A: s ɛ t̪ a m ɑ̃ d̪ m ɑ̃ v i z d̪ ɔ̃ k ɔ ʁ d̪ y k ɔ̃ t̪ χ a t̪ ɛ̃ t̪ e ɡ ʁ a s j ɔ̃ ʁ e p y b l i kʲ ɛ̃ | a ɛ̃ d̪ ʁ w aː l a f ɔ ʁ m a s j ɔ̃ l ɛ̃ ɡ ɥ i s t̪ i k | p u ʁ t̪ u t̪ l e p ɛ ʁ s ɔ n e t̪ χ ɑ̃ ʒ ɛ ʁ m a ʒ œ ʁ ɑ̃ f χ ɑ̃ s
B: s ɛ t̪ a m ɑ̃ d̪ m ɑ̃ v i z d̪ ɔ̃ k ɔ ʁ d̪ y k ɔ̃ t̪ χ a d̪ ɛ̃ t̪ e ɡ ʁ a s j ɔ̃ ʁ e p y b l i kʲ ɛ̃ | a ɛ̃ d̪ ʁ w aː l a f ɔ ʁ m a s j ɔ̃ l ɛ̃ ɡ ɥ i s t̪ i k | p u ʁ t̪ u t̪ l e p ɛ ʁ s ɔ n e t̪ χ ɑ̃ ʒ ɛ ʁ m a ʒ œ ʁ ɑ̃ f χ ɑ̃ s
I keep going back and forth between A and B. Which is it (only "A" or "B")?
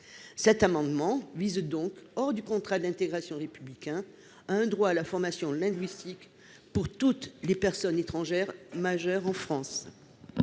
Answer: B